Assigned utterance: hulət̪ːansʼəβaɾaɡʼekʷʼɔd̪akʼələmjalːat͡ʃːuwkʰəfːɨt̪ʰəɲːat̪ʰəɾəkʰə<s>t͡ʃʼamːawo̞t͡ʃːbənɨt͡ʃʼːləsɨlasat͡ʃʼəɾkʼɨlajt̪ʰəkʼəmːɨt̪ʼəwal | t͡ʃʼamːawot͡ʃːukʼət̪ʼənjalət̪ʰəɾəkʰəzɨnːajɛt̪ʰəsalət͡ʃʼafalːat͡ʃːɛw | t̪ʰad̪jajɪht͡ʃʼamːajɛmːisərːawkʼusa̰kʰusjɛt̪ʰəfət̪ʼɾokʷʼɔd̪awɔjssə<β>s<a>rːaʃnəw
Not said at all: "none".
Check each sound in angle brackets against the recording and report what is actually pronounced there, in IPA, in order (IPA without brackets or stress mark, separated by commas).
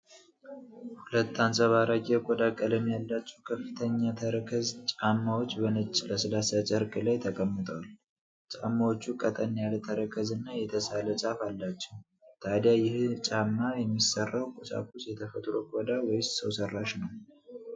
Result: z, w, ə